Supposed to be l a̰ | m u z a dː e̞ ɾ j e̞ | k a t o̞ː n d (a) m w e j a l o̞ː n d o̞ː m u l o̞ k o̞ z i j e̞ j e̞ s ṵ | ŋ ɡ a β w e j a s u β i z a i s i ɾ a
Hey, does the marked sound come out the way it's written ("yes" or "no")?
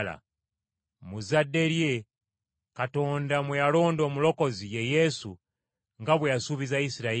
yes